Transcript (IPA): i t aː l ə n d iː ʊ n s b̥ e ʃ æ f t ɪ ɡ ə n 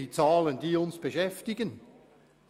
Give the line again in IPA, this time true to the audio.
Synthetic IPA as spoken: i t͡s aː l ə n d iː ʊ n s b̥ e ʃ ɛ f t ɪ ɡ ə n